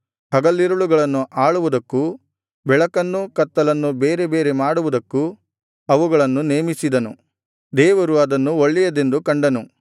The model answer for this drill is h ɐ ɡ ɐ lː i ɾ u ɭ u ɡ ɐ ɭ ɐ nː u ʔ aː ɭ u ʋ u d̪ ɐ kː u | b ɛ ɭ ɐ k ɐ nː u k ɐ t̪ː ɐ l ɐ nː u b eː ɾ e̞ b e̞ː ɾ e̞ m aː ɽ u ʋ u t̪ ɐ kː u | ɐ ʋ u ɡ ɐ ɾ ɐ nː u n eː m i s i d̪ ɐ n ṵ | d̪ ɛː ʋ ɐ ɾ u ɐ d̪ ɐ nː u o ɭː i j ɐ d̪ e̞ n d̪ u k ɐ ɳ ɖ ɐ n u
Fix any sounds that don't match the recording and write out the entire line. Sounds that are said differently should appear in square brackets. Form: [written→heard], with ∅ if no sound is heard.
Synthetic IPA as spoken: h ɐ ɡ ɐ lː i ɾ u ɭ u ɡ ɐ ɭ ɐ nː u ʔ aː ɭ u ʋ u d̪ ɐ kː u | b ɛ ɭ ɐ k ɐ nː u k ɐ t̪ː ɐ l ɐ nː u b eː ɾ e̞ b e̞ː ɾ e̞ m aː ɽ u ʋ u [t̪→d̪] ɐ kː u | ɐ ʋ u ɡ ɐ [ɾ→ɭ] ɐ nː u n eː m i s i d̪ ɐ n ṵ | d̪ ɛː ʋ ɐ ɾ u ɐ d̪ ɐ nː u o ɭː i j ɐ d̪ e̞ n d̪ u k ɐ ɳ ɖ ɐ n u